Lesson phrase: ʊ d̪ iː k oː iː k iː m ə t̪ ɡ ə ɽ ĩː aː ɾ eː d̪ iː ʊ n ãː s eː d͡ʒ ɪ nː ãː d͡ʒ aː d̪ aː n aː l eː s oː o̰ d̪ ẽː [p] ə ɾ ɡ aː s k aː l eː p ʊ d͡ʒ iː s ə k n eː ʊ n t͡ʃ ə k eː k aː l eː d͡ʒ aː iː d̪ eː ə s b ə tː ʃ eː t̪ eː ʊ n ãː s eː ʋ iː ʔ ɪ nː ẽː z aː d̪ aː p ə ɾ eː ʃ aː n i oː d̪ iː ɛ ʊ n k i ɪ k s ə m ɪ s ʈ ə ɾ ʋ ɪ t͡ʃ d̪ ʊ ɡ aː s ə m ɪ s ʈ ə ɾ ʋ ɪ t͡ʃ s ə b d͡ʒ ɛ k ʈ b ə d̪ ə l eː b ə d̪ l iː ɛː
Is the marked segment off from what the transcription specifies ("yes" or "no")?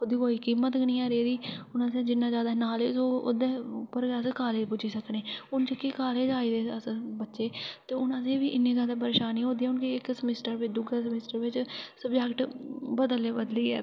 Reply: no